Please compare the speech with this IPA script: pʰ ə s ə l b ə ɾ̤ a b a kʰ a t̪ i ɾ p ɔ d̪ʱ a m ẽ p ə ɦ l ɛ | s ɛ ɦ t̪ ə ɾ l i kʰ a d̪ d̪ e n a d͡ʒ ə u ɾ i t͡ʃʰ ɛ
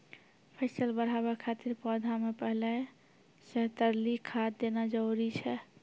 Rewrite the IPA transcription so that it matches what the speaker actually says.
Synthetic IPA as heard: pʰ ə s ə l b ə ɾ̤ a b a kʰ a t̪ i ɾ p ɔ d̪ʱ a m e p ə ɦ l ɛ | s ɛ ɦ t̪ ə ɾ l i kʰ a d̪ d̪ e n a d͡ʒ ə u ɾ i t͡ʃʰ ɛ